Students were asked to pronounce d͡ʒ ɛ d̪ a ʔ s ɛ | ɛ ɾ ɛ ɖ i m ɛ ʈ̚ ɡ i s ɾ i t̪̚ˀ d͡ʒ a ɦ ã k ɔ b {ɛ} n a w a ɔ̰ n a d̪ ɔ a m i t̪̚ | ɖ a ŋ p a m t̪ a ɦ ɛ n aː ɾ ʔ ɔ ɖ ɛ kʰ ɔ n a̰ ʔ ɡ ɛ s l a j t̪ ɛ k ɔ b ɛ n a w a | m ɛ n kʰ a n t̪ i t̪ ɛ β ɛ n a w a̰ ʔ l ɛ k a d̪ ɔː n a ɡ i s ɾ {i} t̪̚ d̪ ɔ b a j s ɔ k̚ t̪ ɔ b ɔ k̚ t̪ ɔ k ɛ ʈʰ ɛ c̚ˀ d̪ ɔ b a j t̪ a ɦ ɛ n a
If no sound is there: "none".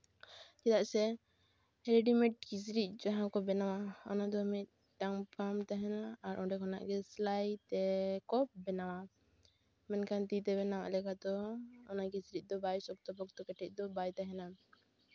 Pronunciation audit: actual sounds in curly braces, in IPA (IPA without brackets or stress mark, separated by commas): ɛ, i